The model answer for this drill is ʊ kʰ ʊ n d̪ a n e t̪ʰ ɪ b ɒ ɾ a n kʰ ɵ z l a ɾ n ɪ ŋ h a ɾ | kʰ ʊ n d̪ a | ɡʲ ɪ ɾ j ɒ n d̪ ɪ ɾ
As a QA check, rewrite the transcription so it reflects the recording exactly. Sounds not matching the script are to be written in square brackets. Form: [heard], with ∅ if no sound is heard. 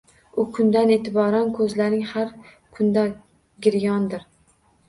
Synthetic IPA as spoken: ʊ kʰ ʊ n d̪ a n e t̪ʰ ɪ b ɒ ɾ a n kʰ ɵ z l a ɾ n ɪ ŋ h a ɾ | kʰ ʊ n d̪ a | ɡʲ ɪ ɾ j ɒ n d̪ ɪ ɾ